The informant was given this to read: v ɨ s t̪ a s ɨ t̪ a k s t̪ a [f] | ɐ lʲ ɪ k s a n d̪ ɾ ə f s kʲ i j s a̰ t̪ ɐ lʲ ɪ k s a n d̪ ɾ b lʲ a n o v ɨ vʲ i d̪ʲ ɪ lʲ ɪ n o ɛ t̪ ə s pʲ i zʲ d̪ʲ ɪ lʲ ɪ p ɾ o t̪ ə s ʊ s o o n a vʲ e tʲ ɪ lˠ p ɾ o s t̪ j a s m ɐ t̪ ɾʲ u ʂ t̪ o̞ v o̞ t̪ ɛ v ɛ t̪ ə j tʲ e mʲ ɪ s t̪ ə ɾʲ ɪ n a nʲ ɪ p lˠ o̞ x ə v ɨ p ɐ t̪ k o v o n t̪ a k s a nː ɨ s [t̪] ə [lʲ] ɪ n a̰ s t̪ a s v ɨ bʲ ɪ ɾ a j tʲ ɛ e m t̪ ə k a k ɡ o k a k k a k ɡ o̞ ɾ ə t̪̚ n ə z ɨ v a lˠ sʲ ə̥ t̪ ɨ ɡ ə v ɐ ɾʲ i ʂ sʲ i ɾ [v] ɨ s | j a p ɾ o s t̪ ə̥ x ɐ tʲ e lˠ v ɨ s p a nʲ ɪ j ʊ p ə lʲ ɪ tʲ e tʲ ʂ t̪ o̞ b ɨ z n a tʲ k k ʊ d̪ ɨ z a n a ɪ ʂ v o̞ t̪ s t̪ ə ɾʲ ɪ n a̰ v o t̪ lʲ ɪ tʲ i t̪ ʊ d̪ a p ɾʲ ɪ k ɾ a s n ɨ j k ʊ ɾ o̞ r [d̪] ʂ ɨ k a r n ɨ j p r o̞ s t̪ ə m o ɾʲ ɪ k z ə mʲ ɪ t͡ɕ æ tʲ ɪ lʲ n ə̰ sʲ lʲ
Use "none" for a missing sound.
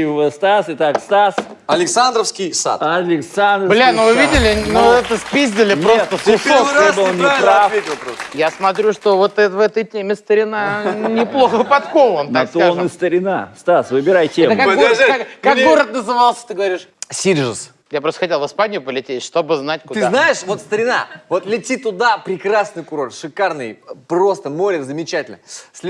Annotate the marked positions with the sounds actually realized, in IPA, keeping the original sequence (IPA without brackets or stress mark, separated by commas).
s, t̪, ɾʲ, ʐ, t̪